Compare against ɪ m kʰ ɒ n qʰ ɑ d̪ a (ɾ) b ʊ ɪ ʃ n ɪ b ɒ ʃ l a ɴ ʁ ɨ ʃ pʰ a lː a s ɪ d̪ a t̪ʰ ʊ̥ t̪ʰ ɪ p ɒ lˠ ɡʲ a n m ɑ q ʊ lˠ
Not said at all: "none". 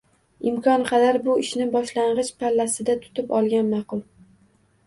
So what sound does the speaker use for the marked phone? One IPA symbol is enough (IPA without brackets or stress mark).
ɾ